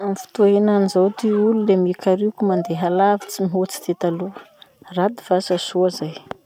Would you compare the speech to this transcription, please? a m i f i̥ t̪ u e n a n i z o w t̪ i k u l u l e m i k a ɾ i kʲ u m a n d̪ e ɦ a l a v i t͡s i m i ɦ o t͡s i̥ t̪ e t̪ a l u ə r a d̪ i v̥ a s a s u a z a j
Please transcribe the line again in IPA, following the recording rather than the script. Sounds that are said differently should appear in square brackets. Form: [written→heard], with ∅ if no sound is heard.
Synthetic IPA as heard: a m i f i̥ t̪ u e n a n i z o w t̪ i [k→∅] u l u l e m i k a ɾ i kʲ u m a n d̪ e ɦ a l a v i t͡s i m i ɦ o t͡s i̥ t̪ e t̪ a l u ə r a d̪ i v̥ a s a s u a z a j